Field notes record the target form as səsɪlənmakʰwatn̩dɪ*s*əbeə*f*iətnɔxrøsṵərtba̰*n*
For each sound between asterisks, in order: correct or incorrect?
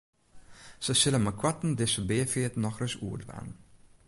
correct, correct, correct

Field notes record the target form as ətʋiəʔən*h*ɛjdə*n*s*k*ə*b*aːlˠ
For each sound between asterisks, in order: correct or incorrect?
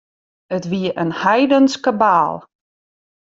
correct, correct, correct, correct

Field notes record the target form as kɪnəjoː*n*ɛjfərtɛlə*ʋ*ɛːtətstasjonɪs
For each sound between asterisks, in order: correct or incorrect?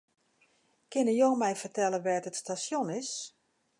incorrect, correct

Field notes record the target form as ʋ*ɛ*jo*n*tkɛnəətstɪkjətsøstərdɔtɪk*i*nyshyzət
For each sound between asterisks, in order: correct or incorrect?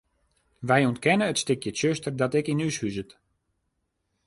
correct, correct, correct

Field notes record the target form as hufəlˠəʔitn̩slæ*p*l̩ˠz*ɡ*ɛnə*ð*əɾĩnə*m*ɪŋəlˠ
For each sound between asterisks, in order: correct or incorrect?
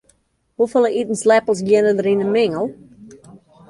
correct, correct, correct, correct

